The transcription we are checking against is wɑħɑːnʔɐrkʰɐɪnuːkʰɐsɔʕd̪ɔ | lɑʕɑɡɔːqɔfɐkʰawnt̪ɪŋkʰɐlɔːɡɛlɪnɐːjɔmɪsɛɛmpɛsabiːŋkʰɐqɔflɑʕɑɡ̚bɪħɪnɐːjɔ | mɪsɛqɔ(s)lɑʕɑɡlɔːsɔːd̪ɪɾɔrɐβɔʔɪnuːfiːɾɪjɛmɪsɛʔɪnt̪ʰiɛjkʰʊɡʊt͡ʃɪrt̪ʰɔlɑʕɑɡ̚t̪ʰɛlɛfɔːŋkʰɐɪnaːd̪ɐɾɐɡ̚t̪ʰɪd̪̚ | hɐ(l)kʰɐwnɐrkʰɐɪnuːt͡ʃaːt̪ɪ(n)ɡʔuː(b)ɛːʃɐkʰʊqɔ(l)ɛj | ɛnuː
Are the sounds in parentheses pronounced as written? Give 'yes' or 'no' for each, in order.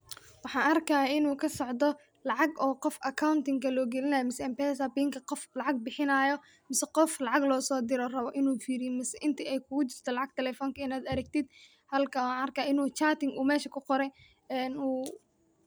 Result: no, yes, no, no, no

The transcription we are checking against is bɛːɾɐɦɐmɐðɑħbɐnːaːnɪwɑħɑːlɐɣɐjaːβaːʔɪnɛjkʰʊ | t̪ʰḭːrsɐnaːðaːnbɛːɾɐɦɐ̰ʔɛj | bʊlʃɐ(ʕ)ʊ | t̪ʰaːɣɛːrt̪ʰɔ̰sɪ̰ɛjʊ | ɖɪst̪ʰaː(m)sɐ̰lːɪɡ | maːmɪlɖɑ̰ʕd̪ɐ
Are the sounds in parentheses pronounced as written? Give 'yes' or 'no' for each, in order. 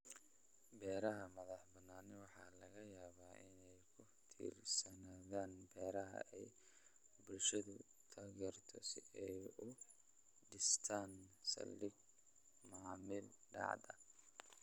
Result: no, no

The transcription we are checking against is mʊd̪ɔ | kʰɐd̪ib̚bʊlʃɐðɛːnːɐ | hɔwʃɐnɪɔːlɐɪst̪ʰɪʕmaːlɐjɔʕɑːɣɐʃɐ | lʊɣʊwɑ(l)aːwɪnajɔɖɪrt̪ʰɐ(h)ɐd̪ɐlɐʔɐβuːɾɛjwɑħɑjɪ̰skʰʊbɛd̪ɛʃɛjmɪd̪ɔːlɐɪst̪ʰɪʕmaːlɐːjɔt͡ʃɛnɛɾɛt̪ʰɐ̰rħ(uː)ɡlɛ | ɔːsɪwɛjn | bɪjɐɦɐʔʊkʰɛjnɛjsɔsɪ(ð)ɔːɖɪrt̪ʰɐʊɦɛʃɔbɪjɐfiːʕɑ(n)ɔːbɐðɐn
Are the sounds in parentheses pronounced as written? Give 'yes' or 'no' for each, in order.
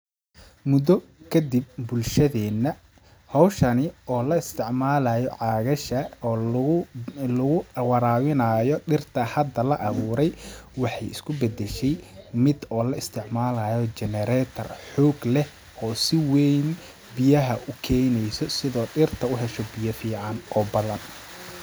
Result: no, yes, no, yes, yes

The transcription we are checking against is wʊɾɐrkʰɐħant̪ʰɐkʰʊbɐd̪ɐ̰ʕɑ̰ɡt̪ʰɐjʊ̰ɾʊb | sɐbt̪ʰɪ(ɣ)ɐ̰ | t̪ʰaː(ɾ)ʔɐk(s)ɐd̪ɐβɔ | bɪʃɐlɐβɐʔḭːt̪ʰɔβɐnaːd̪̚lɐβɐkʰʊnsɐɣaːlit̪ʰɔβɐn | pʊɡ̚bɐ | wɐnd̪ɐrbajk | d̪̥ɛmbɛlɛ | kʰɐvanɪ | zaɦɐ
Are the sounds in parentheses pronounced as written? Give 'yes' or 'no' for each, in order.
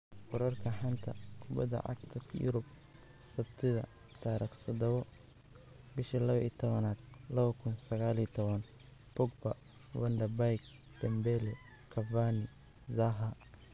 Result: no, yes, yes

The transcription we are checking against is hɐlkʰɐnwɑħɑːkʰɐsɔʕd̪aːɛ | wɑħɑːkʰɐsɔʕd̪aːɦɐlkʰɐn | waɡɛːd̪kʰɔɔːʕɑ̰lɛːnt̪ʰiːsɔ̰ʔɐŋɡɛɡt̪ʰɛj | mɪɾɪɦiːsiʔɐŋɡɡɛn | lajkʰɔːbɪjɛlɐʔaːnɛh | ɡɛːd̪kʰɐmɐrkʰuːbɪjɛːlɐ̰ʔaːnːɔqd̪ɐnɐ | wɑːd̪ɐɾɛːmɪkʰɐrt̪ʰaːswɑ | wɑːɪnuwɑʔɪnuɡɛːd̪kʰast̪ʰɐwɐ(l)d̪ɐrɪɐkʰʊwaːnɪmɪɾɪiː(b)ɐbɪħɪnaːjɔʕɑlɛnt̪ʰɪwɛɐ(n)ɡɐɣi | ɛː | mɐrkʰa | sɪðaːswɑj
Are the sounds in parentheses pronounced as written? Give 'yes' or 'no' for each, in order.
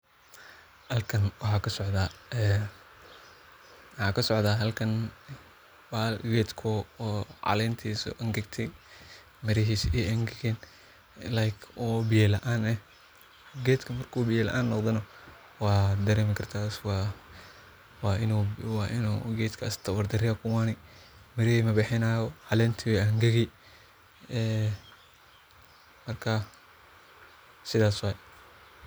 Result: no, no, no

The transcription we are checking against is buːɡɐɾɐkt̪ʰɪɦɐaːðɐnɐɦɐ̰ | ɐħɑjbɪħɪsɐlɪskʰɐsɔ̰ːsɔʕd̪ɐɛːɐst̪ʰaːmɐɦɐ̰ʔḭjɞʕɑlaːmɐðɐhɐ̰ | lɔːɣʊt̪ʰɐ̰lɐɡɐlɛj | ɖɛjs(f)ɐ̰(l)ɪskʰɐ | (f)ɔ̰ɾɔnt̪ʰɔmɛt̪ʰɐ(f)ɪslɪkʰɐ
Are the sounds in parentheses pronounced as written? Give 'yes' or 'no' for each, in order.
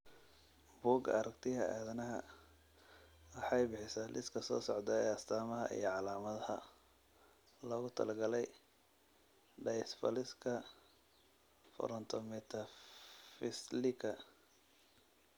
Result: yes, yes, yes, yes

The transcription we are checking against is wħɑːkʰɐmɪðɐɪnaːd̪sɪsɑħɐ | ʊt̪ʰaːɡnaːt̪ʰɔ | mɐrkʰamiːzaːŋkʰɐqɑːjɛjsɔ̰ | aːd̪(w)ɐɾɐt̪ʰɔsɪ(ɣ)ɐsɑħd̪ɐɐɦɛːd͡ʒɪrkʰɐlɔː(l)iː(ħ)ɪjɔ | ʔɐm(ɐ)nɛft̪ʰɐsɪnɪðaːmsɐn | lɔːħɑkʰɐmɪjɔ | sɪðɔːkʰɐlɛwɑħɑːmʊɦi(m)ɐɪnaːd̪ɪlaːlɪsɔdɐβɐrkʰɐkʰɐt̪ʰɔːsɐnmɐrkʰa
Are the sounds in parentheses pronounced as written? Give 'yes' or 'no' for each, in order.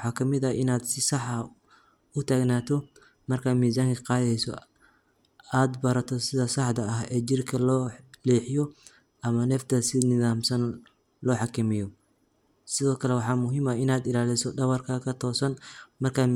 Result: no, no, yes, yes, yes, yes

